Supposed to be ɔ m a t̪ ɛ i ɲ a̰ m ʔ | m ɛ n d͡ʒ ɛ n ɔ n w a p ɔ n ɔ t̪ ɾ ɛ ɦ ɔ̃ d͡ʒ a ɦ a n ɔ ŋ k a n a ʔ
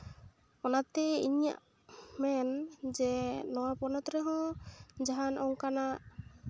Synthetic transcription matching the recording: ɔ n a t̪ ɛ i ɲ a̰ ʔ | m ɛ n d͡ʒ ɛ n ɔ w a p ɔ n ɔ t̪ ɾ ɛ ɦ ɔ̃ d͡ʒ a ɦ a n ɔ ŋ k a n a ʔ

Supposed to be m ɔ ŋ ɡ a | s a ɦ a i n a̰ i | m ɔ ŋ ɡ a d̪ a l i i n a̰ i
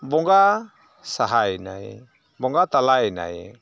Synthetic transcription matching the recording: b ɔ ŋ ɡ a | s a ɦ a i n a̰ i | b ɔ ŋ ɡ a t̪ a l a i n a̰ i

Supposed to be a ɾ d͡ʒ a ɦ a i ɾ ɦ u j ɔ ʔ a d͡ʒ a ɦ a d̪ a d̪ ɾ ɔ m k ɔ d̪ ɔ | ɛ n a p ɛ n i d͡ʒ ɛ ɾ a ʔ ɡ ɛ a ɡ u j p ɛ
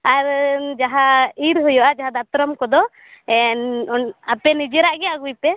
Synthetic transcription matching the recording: a ɾ d͡ʒ a ɦ a i ɾ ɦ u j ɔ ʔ a d͡ʒ a ɦ a d̪ a t̪ ɾ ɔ m k ɔ d̪ ɔ | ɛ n a p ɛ n i d͡ʒ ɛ ɾ a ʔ ɡ ɛ a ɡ u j p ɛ

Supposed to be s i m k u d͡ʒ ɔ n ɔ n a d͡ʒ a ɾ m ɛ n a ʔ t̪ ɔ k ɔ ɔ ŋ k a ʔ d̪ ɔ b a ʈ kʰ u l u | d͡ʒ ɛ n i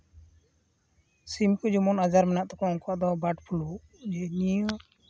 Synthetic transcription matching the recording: s i m k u d͡ʒ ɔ m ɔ n a d͡ʒ a ɾ m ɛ n a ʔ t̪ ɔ k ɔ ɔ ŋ k a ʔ d̪ ɔ b a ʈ pʰ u l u | d͡ʒ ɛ n i

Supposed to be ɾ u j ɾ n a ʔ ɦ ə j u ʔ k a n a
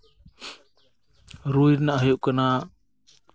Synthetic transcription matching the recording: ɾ u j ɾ n a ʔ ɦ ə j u ʔ k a n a

